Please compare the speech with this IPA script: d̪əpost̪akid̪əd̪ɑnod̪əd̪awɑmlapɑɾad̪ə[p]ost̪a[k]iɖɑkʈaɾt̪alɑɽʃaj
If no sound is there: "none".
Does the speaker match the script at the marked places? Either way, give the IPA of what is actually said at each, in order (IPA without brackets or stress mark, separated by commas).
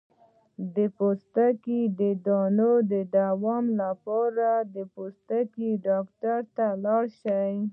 p, k